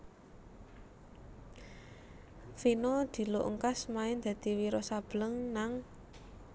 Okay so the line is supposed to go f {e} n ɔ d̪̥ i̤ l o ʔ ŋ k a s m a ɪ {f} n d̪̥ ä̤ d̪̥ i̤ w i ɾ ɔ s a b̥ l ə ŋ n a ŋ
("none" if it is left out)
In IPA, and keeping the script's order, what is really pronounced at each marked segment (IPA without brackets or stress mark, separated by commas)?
i, none